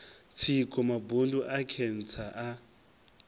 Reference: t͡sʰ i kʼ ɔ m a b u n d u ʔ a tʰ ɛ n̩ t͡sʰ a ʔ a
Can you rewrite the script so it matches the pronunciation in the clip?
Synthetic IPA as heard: t͡sʰ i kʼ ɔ m a b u n d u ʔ a kʰ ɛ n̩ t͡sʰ a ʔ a

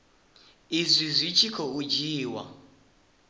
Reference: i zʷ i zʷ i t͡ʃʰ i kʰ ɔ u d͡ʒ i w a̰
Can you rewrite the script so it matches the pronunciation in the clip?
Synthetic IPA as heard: i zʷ i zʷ i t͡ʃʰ i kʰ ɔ u d͡ʒ iː w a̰

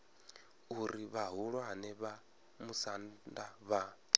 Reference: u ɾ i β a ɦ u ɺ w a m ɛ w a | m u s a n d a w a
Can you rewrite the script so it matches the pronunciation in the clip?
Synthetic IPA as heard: u ɾ i β a ɦ u ɺ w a n ɛ β a | m u s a n d a β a

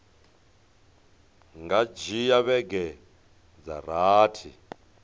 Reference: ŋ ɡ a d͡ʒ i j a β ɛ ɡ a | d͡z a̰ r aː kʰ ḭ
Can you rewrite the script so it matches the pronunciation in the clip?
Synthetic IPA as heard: ŋ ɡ a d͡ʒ i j a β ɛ ɡ ɛ | d͡z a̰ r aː tʰ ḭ

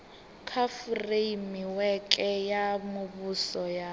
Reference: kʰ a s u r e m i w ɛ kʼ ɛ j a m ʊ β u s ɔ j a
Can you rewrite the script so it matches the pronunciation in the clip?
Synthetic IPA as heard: kʰ a f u r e m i w ɛ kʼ ɛ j a m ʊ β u s ɔ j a

